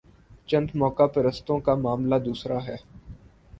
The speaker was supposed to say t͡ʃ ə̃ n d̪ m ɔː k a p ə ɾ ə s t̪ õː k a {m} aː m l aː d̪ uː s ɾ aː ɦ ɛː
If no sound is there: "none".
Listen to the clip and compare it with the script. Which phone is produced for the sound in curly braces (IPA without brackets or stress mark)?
m